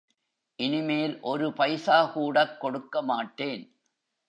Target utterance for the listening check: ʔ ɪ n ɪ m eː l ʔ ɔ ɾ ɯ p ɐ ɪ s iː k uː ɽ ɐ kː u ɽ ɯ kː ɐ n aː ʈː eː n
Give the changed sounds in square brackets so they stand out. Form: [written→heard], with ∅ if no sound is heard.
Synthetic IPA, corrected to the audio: ʔ ɪ n ɪ m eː l ʔ ɔ ɾ ɯ p ɐ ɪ s [iː→aː] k uː ɽ ɐ kː [u→ɔ] ɽ ɯ kː ɐ [n→m] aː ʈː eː n